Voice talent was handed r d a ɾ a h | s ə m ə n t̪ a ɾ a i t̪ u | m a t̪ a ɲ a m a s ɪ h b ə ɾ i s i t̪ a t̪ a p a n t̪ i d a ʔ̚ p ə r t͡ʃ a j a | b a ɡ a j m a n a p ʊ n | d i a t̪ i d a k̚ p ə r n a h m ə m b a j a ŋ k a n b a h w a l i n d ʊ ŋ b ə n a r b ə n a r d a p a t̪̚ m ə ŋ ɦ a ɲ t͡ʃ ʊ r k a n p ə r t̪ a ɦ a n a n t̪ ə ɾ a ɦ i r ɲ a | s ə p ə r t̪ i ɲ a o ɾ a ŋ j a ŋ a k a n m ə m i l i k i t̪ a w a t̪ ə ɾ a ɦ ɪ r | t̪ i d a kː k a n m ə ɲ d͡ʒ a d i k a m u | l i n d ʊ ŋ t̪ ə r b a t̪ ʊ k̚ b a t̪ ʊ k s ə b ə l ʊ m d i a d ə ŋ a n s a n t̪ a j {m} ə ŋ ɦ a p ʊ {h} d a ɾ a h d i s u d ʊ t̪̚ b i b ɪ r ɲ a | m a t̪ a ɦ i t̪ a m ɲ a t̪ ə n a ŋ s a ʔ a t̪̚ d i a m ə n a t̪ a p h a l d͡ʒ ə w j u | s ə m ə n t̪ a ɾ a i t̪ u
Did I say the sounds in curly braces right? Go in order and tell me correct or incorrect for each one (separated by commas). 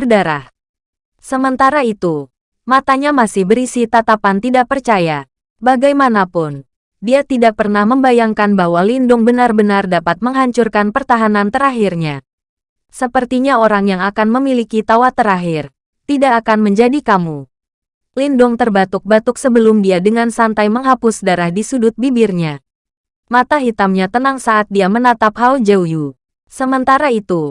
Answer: correct, incorrect